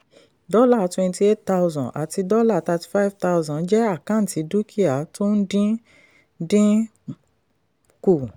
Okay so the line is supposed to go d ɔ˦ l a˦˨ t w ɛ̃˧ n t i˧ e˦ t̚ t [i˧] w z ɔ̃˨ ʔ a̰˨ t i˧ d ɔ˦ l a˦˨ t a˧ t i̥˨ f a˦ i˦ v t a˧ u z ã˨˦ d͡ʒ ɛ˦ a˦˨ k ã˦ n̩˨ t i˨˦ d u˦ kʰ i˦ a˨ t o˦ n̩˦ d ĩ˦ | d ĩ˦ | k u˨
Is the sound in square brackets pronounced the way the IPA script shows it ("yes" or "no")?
no